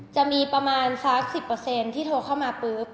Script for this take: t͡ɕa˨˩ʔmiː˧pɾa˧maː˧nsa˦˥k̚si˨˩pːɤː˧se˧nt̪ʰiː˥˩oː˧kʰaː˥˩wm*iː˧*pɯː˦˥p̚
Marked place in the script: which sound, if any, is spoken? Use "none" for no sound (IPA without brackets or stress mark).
aː˧